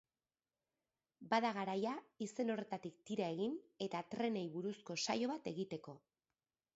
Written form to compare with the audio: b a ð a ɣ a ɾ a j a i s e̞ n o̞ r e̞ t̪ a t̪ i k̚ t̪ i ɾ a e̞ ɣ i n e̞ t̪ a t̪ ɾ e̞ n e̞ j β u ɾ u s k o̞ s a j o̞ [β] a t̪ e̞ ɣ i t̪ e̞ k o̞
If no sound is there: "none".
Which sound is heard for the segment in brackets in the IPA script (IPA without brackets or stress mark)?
β